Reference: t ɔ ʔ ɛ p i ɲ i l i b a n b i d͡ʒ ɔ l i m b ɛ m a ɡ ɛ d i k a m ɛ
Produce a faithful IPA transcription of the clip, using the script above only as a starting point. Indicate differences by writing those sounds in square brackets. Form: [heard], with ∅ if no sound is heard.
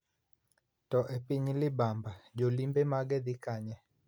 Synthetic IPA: t ɔ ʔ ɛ p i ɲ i l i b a [m] b [a] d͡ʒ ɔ l i m b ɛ m a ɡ ɛ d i k a [ɲ] ɛ